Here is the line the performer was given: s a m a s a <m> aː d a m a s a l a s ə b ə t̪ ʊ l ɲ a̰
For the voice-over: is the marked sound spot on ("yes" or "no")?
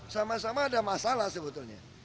yes